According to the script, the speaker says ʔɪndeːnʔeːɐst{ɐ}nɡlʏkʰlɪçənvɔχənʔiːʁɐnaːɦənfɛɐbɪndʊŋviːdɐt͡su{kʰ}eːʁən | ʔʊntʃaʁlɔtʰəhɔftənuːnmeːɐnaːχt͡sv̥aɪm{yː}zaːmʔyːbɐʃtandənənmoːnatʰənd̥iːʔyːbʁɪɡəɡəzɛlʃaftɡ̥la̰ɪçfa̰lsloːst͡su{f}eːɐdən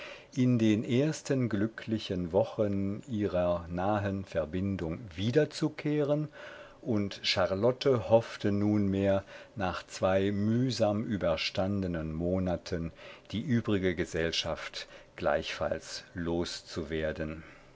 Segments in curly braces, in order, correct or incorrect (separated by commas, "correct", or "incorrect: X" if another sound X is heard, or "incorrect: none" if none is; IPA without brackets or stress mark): incorrect: ə, correct, correct, incorrect: v